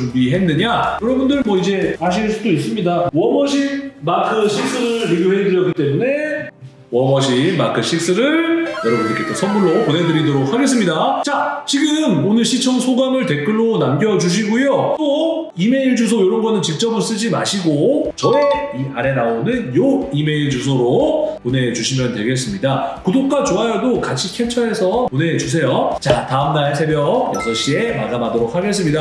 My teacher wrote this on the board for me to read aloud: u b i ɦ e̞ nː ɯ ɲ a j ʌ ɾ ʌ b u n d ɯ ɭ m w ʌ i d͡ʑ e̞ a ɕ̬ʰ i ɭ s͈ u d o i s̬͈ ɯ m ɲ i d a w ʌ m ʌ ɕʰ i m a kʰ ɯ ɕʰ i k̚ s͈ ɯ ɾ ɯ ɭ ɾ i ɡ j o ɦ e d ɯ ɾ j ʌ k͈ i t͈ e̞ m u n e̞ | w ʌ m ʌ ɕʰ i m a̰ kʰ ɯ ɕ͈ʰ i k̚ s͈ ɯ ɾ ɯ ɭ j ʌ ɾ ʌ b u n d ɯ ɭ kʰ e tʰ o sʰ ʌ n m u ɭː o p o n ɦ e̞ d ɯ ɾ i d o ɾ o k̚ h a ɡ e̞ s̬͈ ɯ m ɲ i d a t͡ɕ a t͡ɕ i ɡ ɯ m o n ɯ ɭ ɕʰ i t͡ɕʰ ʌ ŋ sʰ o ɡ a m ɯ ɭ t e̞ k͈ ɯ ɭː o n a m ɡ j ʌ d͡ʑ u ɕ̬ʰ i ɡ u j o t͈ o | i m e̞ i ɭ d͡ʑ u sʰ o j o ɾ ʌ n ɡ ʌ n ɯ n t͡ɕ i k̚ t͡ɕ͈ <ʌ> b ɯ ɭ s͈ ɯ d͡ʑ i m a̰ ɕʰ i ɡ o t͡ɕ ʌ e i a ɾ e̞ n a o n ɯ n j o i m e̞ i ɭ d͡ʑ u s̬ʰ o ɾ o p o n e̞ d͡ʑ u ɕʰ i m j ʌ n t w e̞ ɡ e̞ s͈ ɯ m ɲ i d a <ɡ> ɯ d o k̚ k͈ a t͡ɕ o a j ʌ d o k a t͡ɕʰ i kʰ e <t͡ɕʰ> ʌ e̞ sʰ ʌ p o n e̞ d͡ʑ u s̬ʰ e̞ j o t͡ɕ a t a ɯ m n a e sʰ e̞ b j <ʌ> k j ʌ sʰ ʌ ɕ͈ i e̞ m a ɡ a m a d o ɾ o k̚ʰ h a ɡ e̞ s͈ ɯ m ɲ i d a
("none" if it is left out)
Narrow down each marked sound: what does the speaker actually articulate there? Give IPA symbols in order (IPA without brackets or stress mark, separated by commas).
ʌ, k, t͡ɕʰ, ʌ